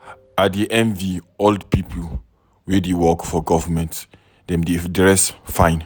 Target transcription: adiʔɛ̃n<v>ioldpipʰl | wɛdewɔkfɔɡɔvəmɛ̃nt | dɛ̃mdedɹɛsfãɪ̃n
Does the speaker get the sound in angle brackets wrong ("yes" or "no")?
no